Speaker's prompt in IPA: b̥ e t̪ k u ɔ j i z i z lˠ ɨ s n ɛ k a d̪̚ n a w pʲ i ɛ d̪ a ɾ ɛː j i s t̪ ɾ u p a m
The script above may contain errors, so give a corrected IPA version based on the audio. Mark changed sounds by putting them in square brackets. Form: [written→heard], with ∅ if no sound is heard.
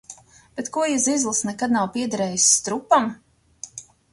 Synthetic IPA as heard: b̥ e t̪ k u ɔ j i z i z lˠ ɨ s n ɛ k a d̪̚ n a w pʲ i ɛ d̪ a ɾ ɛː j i s t̪ ɾ u p a m